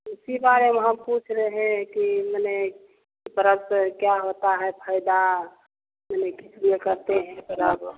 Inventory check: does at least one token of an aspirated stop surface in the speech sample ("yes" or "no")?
yes